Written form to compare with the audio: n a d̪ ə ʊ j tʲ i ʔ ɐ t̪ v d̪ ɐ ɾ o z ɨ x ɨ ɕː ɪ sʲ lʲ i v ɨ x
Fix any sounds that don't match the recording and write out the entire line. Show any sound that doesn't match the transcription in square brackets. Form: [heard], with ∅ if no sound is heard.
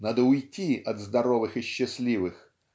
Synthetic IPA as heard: n a d̪ ə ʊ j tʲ i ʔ ɐ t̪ [z] d̪ ɐ ɾ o [v] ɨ x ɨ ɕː ɪ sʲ lʲ i v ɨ x